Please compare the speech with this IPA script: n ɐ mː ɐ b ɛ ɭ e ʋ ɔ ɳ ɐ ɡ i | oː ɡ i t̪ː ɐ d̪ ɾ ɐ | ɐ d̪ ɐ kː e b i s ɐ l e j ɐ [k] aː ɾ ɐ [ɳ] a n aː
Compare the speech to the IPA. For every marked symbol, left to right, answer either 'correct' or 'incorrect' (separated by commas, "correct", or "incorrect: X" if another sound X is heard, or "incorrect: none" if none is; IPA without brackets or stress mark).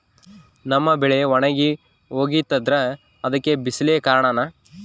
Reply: correct, correct